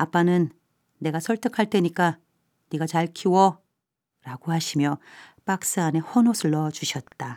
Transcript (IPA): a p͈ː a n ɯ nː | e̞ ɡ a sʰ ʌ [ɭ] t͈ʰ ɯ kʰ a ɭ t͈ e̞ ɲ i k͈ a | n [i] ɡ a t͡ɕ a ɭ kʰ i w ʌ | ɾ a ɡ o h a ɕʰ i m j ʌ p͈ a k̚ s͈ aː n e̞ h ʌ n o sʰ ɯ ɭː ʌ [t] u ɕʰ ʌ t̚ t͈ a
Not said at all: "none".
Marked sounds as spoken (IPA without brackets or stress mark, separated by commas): ɭ, i, t͡ɕ